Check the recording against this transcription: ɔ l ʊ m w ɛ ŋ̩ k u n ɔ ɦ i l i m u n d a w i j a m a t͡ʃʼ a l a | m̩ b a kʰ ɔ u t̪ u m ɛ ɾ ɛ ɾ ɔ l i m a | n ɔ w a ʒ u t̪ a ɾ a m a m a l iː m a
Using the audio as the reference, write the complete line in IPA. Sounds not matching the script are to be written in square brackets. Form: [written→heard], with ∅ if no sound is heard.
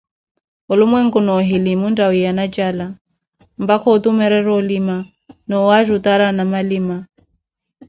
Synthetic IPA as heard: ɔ l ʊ m w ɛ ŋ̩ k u n ɔ ɦ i l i m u n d a w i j a [m→n] a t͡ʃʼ a l a | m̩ b a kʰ ɔ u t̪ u m ɛ ɾ ɛ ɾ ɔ l i m a | n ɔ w a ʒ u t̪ a ɾ a [m→n] a m a l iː m a